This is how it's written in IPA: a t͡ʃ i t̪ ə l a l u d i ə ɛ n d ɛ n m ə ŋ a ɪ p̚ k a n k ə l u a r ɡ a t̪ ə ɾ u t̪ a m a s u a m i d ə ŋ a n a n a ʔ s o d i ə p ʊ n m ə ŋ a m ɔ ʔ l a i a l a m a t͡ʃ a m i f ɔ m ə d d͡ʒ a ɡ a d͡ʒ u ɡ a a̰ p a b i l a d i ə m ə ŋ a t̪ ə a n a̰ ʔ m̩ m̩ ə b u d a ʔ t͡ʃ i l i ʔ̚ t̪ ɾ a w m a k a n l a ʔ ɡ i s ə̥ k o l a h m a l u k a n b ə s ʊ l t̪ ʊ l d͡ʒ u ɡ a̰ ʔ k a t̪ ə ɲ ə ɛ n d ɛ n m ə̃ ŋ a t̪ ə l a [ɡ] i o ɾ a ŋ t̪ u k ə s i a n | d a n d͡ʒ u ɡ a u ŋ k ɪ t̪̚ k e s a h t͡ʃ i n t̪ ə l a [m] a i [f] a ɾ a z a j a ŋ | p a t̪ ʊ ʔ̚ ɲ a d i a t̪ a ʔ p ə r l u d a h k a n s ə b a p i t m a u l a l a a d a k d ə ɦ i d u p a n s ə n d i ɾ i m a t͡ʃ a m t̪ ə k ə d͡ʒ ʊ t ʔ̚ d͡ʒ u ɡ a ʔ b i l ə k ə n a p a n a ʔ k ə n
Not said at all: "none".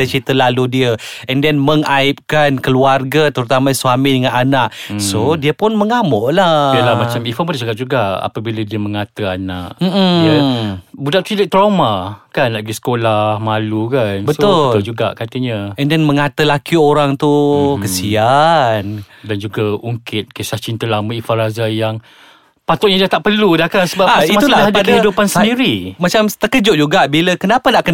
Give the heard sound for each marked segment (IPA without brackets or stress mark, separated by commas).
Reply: k, m, f